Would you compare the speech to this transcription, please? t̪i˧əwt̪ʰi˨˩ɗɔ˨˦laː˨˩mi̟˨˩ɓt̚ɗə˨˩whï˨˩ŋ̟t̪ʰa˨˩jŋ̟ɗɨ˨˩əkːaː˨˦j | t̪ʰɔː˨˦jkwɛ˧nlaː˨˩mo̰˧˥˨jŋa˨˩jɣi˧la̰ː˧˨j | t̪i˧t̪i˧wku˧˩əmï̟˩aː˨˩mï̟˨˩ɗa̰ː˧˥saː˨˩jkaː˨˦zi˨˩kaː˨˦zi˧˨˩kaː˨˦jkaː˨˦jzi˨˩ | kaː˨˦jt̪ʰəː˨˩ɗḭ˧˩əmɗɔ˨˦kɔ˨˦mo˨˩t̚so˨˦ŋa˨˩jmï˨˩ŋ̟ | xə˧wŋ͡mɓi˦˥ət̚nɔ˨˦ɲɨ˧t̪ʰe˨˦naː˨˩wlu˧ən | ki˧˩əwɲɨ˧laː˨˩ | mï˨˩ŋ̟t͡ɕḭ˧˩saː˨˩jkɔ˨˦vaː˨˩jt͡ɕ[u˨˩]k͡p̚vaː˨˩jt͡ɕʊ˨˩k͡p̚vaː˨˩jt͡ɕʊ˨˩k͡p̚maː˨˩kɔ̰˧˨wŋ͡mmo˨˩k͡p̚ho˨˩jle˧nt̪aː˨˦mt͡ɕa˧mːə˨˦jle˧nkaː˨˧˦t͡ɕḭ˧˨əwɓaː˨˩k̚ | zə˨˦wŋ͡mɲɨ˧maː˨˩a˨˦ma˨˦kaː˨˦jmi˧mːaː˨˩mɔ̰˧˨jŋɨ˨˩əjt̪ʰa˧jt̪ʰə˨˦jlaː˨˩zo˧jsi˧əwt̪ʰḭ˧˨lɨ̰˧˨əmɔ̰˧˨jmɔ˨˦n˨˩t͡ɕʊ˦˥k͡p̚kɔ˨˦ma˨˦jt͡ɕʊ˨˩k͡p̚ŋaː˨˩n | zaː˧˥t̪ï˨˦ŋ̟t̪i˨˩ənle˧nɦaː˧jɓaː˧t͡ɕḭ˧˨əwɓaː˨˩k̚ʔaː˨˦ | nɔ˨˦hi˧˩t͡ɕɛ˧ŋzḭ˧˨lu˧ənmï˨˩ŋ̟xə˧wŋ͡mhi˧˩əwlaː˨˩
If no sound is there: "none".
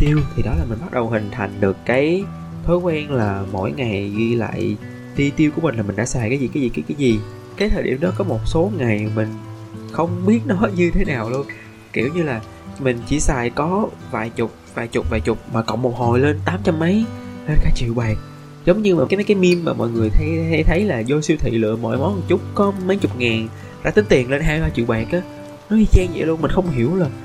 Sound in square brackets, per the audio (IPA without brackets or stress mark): ʊ˨˩